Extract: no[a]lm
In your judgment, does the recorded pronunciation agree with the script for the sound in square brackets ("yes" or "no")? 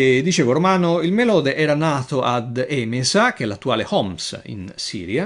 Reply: no